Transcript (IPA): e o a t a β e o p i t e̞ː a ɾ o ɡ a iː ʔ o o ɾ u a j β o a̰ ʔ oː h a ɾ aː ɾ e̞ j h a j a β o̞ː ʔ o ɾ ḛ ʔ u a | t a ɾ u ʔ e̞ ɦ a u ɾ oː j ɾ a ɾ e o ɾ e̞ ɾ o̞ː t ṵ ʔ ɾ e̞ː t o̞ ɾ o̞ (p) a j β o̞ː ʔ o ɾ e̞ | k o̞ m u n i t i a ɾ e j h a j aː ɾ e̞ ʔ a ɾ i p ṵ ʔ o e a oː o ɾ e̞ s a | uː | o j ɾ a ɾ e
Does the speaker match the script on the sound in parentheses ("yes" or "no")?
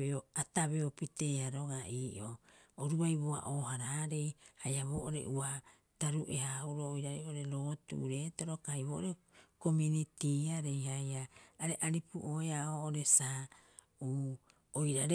no